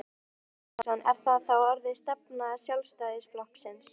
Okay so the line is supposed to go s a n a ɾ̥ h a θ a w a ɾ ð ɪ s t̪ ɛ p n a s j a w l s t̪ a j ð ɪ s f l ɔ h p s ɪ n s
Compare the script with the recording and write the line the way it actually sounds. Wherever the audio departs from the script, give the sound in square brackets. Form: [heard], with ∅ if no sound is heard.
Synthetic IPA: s a n [ɛ] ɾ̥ [θ] a θ a w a ɾ ð ɪ s t̪ ɛ p n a s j a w l s t̪ a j ð ɪ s f l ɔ h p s ɪ n s